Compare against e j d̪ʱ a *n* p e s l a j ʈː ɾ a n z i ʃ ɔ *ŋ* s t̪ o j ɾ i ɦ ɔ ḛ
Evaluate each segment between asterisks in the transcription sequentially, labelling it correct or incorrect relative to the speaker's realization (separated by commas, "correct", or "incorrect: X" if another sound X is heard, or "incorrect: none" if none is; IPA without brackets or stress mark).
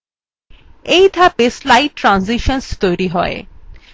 incorrect: none, incorrect: n